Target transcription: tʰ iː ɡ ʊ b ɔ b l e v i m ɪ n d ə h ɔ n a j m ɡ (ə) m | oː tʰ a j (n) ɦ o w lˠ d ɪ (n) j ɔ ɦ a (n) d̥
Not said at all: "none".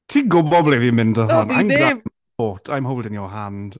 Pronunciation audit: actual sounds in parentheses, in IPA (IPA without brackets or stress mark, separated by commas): a, m, n, n